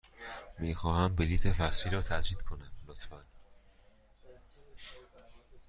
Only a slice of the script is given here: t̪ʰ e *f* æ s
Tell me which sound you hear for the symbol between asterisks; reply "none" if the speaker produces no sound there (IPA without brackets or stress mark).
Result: f